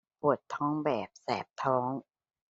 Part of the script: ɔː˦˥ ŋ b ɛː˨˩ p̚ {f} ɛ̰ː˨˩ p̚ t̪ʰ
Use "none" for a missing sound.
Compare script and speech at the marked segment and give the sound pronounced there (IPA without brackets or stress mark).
s